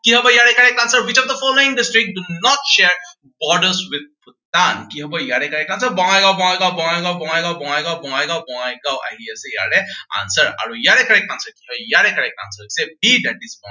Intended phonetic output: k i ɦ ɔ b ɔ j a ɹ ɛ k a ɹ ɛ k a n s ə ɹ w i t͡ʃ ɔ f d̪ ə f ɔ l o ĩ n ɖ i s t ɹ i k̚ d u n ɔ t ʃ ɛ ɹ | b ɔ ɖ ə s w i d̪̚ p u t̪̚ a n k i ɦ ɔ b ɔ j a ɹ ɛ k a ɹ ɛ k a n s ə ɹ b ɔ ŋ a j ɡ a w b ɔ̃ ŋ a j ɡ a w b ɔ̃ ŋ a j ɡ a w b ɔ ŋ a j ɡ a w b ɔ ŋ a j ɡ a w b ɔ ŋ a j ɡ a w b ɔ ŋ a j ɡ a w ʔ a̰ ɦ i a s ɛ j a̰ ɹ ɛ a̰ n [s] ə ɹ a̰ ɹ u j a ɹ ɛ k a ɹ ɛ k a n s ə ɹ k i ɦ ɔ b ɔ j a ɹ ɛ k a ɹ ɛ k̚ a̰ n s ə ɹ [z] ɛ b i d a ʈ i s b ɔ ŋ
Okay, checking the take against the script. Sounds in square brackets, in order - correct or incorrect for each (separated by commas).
correct, incorrect